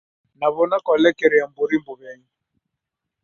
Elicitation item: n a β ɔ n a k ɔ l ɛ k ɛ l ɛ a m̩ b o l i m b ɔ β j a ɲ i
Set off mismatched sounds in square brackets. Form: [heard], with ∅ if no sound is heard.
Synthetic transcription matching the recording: n a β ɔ n a k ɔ l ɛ k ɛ [ɾ] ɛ a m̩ b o [ɾ] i m b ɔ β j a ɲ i

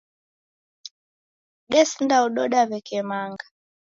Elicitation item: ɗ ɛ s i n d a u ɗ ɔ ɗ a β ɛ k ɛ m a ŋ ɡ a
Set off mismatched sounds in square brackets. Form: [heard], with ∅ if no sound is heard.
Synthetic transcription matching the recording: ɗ ɛ s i n d a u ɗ ɔ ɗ a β ɛ k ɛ m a ŋ ɡ a

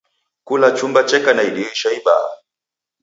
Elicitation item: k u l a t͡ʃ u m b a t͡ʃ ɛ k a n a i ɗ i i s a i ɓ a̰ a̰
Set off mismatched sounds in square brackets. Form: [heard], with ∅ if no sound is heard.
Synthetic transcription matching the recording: k u l a t͡ʃ u m b a t͡ʃ ɛ k a n a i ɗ i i [ʃ] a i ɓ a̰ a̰

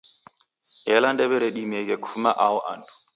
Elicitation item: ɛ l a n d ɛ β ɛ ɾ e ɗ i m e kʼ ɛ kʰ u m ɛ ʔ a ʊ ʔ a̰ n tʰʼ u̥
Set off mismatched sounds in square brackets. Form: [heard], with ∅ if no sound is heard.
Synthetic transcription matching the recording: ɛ l a n d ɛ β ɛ ɾ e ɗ i m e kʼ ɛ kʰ u m [a] ʔ a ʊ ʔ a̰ n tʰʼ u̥

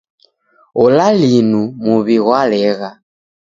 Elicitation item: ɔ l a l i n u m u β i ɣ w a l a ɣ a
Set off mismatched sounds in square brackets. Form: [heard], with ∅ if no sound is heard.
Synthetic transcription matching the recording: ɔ l a l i n u m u β i ɣ w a l [ɛ] ɣ a

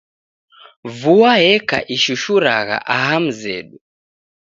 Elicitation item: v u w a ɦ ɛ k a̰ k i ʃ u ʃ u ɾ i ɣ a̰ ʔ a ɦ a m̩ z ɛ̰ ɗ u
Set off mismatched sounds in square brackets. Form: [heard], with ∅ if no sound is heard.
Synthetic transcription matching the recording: v u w a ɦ ɛ k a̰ [ʔ] i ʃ u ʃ u ɾ [a] ɣ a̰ ʔ a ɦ a m̩ z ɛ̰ ɗ u

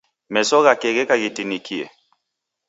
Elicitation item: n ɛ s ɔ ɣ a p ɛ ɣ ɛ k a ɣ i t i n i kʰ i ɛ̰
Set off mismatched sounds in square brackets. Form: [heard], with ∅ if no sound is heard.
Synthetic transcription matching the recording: [m] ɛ s ɔ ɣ a [k] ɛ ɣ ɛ k a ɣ i t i n i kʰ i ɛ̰

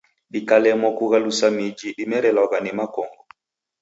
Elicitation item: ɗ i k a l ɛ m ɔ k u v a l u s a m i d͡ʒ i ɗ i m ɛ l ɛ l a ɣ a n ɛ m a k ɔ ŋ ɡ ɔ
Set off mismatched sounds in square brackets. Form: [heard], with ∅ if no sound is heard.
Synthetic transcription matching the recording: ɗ i k a l ɛ m ɔ k u [ɣ] a l u s a m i d͡ʒ i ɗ i m ɛ [ɾ] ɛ l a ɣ a n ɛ m a k ɔ ŋ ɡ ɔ

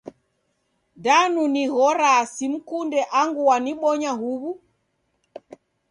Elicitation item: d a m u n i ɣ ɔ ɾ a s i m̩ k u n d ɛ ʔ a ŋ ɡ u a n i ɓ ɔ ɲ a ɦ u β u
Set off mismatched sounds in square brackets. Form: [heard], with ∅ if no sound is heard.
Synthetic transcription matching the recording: d a [n] u n i ɣ ɔ ɾ a s i m̩ k u n d ɛ ʔ a ŋ ɡ u a n i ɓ ɔ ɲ a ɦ u β u

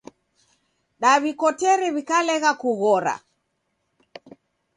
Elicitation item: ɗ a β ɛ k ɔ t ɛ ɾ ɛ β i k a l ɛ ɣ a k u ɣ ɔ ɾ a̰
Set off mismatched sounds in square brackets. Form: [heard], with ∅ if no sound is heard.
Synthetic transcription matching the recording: ɗ a β [i] k ɔ t ɛ ɾ ɛ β i k a l ɛ ɣ a k u ɣ ɔ ɾ a̰

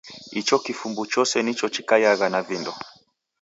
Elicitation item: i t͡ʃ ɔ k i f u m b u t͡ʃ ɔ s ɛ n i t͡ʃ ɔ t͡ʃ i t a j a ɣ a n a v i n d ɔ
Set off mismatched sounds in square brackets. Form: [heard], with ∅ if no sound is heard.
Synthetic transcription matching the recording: i t͡ʃ ɔ k i f u m b u t͡ʃ ɔ s ɛ n i t͡ʃ ɔ t͡ʃ i [k] a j a ɣ a n a v i n d ɔ

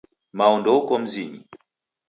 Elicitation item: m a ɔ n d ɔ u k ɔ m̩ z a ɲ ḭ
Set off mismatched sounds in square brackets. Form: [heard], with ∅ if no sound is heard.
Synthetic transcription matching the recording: m a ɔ n d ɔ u k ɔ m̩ z [i] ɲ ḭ

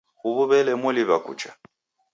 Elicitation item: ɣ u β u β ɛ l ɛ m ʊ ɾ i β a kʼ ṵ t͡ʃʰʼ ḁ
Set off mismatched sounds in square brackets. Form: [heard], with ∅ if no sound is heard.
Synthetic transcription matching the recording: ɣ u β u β ɛ l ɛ m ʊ [l] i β a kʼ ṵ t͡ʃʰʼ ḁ

